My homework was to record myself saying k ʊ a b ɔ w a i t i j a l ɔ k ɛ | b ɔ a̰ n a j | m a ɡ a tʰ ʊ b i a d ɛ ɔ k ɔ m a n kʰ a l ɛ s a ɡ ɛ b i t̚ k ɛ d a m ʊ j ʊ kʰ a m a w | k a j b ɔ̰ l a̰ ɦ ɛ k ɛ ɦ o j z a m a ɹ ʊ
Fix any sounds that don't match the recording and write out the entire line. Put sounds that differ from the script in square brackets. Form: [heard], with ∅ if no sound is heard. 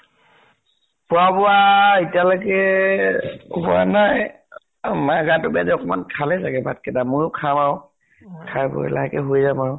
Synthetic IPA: [p] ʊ a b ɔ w a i t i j a l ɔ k ɛ | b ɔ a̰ n a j | m a ɡ a [t] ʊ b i a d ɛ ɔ k ɔ m a n kʰ a l ɛ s a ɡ ɛ b [a] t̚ k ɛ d a m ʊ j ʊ kʰ a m a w | [kʰ] a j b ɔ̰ l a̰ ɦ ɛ k ɛ ɦ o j z a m a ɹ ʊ